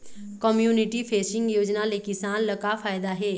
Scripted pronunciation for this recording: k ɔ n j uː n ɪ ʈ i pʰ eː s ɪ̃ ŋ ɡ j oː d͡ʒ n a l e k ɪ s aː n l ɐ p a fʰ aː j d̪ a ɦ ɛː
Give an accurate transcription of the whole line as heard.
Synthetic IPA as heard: k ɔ m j uː n ɪ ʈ i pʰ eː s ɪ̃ ŋ ɡ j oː d͡ʒ n a l e k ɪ s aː n l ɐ k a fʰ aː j d̪ a ɦ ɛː